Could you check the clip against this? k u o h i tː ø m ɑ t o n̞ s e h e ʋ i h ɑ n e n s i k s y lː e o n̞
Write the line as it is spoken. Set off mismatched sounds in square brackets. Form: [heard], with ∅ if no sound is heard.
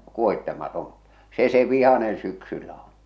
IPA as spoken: k u o h i tː [e] m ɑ t o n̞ s e [s] e ʋ i h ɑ n e n s [y] k s y lː [æ] o n̞